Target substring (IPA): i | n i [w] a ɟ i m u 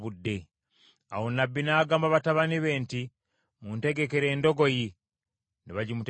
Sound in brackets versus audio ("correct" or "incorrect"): incorrect